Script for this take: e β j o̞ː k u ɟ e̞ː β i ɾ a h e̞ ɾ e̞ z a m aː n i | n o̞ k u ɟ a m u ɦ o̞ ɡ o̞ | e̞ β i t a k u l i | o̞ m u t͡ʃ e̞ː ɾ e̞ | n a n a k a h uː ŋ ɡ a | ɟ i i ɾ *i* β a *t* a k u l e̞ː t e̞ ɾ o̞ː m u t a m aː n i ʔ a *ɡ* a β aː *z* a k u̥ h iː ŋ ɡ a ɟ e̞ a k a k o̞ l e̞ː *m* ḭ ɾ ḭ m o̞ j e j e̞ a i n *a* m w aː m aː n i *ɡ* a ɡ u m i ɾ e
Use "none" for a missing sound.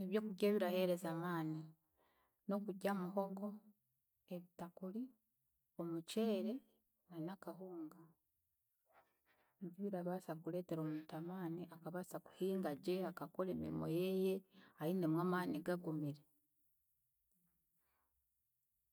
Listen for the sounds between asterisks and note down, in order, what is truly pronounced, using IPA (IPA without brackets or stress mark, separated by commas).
a, s, k, s, m, e, ɡ